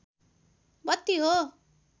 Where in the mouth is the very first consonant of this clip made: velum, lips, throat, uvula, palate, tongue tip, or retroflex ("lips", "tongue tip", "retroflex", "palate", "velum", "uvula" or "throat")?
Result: lips